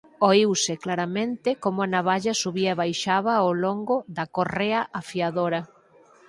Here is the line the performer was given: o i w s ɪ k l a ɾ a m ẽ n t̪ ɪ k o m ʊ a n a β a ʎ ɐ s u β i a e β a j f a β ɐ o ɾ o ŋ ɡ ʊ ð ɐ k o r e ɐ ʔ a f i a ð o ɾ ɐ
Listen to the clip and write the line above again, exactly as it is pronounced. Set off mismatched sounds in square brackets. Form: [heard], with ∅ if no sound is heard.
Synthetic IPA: o i w s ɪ k l a ɾ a m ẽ n t̪ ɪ k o m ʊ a n a β a ʎ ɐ s u β i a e β a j [ʃ] a β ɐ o [l] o ŋ ɡ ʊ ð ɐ k o r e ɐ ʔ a f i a ð o ɾ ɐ

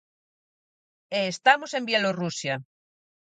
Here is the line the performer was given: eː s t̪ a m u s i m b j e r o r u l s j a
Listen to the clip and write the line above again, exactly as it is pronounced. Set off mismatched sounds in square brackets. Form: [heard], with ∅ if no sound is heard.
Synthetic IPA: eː s t̪ a m [o] s [e] m b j e [l] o r u [∅] s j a

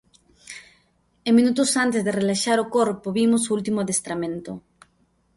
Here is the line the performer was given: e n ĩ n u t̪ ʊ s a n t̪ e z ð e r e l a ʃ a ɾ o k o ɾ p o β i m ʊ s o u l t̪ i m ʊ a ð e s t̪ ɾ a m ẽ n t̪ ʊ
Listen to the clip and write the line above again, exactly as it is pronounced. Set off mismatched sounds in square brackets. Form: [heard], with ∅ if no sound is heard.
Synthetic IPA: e [m] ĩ n u t̪ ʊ s a n t̪ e z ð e r e l a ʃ a ɾ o k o ɾ p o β i m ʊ s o u l t̪ i m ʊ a ð e s t̪ ɾ a m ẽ n t̪ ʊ

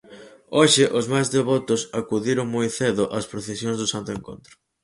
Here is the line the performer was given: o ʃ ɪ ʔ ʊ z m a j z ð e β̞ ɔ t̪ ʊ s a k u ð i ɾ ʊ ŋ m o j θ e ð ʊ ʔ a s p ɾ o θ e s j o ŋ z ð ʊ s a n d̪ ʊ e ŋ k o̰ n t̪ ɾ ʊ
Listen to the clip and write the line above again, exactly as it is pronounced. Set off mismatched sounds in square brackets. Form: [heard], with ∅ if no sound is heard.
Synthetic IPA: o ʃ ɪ ʔ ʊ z m a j z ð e β̞ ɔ t̪ ʊ s a k u ð i ɾ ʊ ŋ m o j θ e ð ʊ ʔ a s p ɾ o θ e s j o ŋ z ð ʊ s a n [t̪] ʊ e ŋ k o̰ n t̪ ɾ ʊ

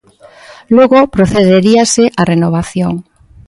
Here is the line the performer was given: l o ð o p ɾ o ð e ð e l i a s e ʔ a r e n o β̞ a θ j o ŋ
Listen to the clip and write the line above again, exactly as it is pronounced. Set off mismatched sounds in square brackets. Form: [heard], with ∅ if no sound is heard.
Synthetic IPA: l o [ɣ] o p ɾ o [θ] e ð e [ɾ] i a s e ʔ a r e n o β̞ a θ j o ŋ

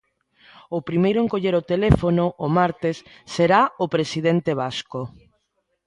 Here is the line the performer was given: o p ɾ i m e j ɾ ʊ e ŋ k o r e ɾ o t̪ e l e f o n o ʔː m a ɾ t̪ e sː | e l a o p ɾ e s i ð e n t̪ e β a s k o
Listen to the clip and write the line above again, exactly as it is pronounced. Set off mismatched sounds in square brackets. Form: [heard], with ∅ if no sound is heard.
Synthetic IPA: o p ɾ i m e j ɾ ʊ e ŋ k o [ʎ] e ɾ o t̪ e l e f o n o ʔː m a ɾ t̪ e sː | e [ɾ] a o p ɾ e s i ð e n t̪ e β a s k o

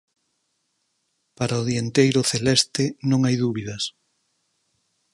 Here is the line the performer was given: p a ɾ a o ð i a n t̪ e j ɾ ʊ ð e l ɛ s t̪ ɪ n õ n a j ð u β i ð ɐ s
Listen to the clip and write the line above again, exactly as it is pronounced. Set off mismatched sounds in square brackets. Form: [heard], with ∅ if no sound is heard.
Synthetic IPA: p a ɾ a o ð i [e] n t̪ e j ɾ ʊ [θ] e l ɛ s t̪ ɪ n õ [ŋ] a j ð u β i ð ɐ s

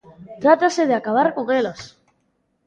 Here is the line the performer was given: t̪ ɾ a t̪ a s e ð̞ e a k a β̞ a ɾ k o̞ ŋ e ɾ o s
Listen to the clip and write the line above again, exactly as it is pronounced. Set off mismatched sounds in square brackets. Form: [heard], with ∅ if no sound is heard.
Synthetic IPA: t̪ ɾ a t̪ a s e ð̞ e a k a β̞ a ɾ k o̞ ŋ e [l] o s

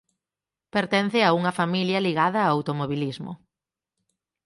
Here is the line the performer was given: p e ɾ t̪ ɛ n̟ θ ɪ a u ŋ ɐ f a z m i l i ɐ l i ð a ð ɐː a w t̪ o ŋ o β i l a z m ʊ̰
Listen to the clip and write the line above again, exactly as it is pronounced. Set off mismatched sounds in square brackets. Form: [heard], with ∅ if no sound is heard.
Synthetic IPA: p e ɾ t̪ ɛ n̟ θ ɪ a u ŋ ɐ f a [∅] m i l [j] ɐ l i [ɣ] a ð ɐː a w t̪ o [m] o β i l [i] z m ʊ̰

